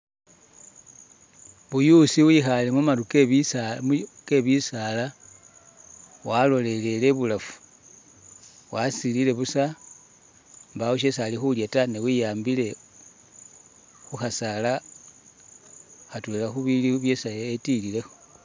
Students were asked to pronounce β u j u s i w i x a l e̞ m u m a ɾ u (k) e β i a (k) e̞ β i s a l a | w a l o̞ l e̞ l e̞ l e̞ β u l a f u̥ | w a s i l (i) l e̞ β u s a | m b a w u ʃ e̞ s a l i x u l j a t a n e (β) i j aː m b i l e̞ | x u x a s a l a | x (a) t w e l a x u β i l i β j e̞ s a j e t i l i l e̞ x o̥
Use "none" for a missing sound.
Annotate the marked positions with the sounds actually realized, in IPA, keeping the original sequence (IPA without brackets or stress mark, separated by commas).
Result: k, k, i, w, a